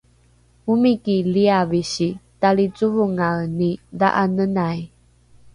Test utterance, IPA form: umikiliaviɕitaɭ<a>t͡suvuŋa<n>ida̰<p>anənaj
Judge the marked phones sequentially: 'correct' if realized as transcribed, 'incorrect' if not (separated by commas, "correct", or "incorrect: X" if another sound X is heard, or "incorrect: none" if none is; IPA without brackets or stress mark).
incorrect: i, correct, incorrect: ʔ